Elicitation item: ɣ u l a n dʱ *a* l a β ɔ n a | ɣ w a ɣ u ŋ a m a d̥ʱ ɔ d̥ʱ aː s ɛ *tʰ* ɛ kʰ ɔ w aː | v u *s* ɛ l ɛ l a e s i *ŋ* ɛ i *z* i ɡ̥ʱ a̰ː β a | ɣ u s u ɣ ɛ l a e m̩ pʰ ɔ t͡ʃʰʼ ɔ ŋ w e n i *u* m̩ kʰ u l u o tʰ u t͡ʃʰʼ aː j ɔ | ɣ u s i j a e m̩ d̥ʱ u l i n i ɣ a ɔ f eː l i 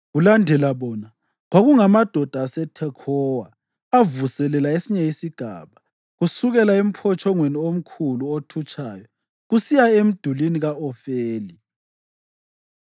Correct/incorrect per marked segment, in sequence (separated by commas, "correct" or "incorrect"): incorrect, correct, correct, incorrect, incorrect, incorrect